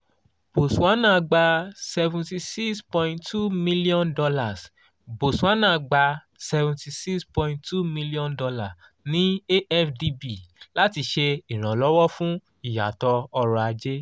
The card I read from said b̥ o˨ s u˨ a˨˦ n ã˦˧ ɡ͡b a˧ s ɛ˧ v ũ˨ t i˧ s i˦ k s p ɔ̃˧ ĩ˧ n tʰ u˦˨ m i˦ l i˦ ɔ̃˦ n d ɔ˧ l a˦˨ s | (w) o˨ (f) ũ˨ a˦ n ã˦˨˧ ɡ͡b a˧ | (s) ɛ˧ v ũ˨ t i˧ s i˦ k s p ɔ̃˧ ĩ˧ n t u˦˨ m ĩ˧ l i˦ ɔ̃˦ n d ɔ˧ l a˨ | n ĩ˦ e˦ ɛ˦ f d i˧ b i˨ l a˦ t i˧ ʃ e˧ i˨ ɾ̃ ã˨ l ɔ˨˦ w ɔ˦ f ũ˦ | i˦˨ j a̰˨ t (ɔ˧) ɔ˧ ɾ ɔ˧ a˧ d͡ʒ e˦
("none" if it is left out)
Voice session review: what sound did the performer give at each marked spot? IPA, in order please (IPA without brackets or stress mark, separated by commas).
b, s, s, ɔ˧